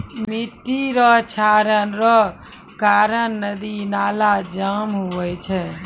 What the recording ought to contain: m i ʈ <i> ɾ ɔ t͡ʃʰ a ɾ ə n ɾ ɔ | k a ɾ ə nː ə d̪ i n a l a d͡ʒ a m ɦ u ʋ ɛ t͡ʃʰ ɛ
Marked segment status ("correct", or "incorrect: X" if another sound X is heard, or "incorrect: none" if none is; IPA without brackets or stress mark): correct